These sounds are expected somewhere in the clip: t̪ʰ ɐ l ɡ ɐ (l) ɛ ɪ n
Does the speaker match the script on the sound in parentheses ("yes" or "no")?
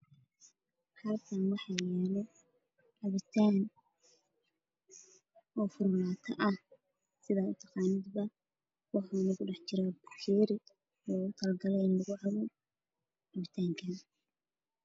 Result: yes